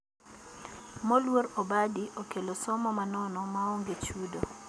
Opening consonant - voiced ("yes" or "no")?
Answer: yes